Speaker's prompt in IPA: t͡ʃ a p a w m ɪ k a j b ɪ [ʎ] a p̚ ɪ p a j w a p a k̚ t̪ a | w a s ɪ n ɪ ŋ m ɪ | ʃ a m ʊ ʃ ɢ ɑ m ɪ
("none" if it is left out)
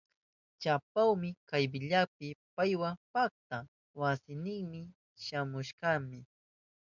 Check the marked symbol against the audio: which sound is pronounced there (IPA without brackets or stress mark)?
ʎ